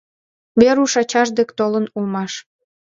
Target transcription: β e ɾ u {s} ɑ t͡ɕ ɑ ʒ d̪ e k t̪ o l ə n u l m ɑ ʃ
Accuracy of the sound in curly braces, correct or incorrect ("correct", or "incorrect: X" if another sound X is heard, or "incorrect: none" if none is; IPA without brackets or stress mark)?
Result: incorrect: ʃ